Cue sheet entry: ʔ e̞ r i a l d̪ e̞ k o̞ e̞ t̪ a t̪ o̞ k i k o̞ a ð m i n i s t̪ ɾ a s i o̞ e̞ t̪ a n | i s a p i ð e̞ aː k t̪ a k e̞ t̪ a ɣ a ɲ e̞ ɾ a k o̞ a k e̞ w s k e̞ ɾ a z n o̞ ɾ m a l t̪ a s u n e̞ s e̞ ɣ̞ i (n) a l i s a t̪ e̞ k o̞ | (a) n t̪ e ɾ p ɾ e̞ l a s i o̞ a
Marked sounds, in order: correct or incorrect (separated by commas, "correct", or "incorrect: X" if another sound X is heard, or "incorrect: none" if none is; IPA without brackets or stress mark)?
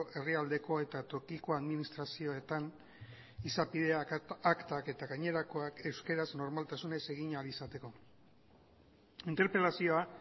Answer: incorrect: ɲ, incorrect: i